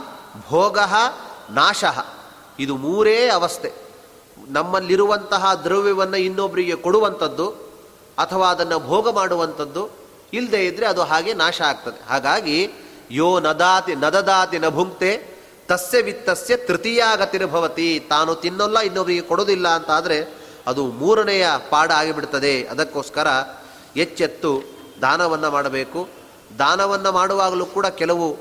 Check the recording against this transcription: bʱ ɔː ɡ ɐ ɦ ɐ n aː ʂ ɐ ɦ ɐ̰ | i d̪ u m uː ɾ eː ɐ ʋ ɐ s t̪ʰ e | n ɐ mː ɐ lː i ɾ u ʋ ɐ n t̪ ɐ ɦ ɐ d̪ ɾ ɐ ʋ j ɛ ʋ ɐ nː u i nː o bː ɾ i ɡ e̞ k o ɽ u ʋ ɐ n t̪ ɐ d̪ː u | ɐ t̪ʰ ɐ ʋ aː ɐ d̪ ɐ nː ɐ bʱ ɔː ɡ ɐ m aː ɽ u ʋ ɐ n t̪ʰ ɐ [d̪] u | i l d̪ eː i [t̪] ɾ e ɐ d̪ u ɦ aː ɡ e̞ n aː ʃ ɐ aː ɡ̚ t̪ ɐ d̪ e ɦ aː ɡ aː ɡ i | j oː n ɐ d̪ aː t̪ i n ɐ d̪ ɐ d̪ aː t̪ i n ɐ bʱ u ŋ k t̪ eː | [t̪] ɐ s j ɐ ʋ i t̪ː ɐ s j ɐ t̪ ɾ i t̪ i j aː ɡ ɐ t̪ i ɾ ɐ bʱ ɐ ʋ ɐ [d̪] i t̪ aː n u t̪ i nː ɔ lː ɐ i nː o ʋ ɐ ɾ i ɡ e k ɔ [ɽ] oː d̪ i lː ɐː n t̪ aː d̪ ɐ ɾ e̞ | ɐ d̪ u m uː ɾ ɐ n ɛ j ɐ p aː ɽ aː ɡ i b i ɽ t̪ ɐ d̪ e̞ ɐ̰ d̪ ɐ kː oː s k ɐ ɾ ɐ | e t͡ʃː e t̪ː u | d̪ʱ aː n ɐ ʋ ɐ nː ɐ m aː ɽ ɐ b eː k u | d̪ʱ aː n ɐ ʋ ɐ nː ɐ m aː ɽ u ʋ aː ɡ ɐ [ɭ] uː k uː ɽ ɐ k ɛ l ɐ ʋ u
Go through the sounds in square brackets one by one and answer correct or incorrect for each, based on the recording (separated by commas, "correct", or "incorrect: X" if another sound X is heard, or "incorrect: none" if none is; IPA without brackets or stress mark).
incorrect: d̪ː, incorrect: d̪, correct, incorrect: t̪, correct, incorrect: l